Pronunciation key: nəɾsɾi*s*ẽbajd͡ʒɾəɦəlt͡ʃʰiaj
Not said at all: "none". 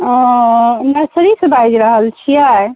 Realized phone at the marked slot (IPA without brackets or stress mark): s